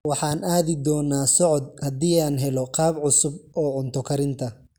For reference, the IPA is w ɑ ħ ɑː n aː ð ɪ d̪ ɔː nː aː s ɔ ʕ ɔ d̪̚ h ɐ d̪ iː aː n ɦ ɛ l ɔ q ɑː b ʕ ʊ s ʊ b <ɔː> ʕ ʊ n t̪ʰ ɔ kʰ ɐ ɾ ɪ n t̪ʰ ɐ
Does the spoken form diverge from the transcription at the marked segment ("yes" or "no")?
no